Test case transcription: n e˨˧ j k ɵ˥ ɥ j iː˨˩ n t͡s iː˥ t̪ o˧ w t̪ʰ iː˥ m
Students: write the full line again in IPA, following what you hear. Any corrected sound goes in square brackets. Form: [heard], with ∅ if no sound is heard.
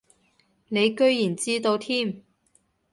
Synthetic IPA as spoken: n e˨˧ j k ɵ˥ ɥ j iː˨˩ n t͡s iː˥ t̪ o˧ w t̪ʰ iː˥ m